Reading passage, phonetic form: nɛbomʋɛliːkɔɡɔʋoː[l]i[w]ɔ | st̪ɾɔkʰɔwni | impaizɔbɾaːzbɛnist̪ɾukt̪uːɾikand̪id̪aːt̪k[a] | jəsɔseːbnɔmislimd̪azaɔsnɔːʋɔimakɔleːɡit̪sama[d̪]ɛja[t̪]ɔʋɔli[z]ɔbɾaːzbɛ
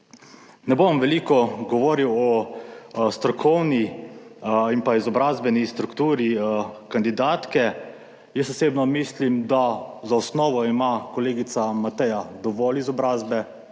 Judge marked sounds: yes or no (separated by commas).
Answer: no, yes, no, no, no, yes